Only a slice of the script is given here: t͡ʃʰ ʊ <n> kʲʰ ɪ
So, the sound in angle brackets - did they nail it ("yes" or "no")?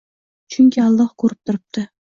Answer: no